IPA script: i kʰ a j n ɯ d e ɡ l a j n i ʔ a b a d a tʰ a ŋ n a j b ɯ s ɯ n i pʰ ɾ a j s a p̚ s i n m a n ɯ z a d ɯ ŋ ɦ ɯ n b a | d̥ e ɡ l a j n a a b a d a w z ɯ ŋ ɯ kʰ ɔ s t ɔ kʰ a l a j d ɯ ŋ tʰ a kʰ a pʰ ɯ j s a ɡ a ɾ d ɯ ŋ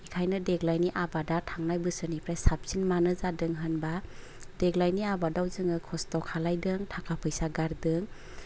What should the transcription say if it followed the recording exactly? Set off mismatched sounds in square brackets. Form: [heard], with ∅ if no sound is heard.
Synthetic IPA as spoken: i kʰ a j n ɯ d e ɡ l a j n i ʔ a b a d a tʰ a ŋ n a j b ɯ s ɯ n i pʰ ɾ a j s a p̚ s i n m a n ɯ z a d ɯ ŋ ɦ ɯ n b a | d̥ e ɡ l a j n [i] a b a d a w z ɯ ŋ ɯ kʰ ɔ s t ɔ kʰ a l a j d ɯ ŋ tʰ a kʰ a pʰ ɯ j s a ɡ a ɾ d ɯ ŋ

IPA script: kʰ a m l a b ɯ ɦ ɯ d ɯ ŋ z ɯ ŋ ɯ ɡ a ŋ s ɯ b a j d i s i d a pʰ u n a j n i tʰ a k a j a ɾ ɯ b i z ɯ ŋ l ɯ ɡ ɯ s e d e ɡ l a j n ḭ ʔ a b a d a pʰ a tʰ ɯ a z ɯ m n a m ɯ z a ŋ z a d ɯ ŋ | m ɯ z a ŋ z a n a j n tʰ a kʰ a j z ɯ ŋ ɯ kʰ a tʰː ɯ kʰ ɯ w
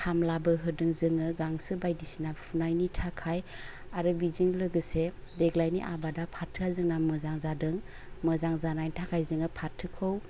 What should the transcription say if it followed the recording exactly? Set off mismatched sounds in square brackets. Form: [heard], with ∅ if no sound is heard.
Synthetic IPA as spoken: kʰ a m l a b ɯ ɦ ɯ d ɯ ŋ z ɯ ŋ ɯ ɡ a ŋ s ɯ b a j d i s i [n] a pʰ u n a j n i tʰ a [kʰ] a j a ɾ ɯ b i z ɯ ŋ l ɯ ɡ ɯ s e d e ɡ l a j n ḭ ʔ a b a d a pʰ a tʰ ɯ a z ɯ [ŋ] n a m ɯ z a ŋ z a d ɯ ŋ | m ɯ z a ŋ z a n a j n tʰ a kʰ a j z ɯ ŋ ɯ [pʰ] a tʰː ɯ kʰ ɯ w

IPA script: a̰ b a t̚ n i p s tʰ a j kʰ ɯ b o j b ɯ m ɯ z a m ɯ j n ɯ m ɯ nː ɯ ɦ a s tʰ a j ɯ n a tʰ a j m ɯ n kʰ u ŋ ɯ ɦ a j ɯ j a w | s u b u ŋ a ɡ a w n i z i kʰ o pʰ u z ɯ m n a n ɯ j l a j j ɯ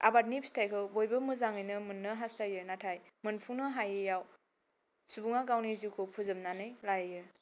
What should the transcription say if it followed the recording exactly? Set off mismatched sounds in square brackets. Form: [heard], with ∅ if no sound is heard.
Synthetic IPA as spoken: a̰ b a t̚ n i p s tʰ a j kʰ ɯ b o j b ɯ m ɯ z a [ŋ] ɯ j n ɯ m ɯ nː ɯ ɦ a s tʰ a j ɯ n a tʰ a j m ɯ n [pʰ] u [n] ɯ ɦ a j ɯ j a w | s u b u ŋ a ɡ a w n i z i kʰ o pʰ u z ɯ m n a n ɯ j l a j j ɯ

